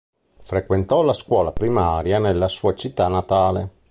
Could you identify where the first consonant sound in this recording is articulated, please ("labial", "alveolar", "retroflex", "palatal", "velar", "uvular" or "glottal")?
labial